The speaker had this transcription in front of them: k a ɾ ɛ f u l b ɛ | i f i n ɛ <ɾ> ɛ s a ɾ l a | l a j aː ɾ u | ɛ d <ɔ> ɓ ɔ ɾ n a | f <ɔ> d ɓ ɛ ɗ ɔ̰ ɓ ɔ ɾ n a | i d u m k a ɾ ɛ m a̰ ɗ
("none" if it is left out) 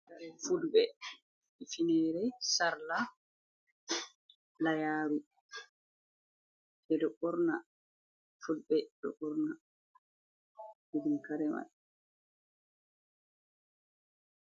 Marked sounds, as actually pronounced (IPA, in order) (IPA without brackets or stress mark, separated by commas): ɾ, ɔ, u